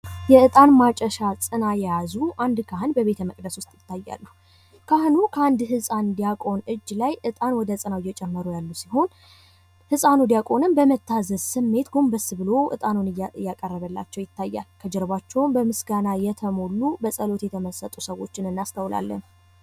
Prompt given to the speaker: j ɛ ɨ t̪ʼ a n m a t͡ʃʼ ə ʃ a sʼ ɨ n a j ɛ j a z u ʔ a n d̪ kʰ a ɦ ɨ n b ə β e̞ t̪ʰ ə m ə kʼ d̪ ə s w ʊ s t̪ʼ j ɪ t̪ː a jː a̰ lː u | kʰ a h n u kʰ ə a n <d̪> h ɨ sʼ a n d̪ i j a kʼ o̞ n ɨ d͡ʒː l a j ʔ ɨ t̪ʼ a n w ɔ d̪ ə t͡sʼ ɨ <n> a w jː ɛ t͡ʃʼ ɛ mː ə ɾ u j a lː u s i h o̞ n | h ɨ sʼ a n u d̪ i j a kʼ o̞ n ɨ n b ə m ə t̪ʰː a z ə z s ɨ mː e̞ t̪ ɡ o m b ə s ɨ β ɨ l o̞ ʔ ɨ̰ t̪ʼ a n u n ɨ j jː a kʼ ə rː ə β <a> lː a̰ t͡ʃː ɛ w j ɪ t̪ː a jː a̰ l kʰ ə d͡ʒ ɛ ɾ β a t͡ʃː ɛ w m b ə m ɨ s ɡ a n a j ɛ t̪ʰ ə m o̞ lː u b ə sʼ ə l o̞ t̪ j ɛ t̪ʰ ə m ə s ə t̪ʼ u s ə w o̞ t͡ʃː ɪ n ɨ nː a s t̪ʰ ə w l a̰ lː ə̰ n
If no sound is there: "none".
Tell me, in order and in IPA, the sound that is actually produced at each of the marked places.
d̪, n, ə

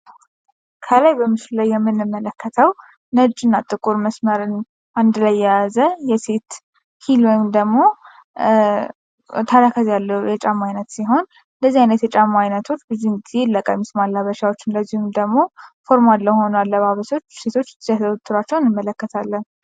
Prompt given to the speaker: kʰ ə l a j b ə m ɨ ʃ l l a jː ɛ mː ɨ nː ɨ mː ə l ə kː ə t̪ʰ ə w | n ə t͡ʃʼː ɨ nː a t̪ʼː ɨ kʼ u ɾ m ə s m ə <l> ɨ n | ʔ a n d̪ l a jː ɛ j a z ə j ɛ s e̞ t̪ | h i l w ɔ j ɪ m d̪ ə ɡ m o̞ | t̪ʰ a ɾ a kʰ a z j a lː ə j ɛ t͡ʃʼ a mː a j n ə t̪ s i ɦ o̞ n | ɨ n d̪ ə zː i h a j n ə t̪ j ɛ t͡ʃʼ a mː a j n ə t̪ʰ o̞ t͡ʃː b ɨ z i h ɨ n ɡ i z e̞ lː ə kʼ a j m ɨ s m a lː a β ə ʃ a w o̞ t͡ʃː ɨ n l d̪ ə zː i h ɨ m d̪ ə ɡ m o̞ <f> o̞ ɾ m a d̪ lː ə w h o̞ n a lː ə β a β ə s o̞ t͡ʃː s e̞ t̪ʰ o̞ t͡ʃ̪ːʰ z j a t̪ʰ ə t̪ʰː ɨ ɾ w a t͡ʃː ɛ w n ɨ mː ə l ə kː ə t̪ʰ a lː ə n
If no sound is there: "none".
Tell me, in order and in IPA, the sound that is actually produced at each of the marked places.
ɾ, f

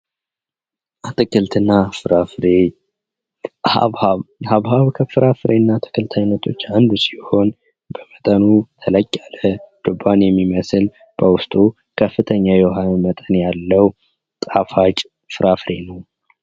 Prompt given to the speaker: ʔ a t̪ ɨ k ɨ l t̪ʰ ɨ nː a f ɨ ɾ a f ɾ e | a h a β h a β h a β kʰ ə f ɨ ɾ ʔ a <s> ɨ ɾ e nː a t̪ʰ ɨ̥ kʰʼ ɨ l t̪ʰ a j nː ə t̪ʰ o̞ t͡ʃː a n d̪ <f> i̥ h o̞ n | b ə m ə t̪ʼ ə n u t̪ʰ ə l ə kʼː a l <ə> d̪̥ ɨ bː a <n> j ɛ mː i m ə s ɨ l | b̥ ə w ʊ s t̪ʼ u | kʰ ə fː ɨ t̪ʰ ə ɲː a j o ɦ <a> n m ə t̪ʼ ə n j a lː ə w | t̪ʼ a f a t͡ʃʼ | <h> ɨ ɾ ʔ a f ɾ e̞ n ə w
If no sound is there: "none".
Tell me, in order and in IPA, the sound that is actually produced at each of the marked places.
f, s, ə, n, a, f

